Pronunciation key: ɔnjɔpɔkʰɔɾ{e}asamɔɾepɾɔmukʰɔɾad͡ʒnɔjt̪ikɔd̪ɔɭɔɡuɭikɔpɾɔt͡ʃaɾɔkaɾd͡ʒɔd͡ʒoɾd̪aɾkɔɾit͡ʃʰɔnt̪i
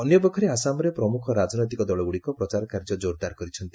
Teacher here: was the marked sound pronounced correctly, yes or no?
yes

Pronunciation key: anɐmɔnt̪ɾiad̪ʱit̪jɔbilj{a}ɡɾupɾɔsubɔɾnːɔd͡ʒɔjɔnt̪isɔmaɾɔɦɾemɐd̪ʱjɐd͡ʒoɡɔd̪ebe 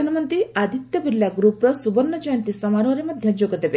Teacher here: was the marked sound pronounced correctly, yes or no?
yes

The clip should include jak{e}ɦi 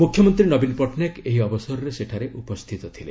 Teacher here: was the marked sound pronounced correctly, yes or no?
yes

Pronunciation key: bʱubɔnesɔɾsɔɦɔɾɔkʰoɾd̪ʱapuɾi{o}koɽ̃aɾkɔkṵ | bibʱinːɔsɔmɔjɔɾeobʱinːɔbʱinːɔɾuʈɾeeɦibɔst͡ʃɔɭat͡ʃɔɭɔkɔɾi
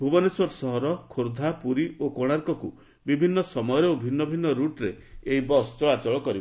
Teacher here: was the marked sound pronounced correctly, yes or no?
yes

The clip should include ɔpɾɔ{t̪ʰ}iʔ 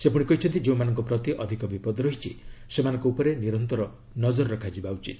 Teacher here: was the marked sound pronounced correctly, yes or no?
no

